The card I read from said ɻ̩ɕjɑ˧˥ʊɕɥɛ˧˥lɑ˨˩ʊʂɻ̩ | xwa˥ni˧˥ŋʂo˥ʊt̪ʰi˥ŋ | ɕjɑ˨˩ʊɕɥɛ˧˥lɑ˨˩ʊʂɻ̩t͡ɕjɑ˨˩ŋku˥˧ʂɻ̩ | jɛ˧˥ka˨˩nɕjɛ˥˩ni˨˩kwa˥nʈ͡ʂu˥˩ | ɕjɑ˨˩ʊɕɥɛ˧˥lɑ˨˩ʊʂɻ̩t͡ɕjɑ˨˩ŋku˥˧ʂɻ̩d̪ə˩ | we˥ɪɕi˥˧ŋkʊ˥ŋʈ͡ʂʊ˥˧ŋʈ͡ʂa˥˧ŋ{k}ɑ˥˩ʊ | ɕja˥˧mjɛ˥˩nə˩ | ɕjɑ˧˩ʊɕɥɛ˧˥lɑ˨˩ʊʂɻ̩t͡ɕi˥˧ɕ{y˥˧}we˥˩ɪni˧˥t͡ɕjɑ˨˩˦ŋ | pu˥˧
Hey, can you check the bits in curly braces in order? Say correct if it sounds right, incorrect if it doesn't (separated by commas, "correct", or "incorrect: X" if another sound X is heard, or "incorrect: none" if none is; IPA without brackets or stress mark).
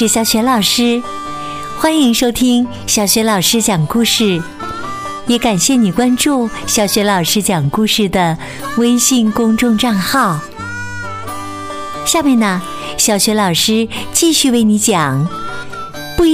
incorrect: x, correct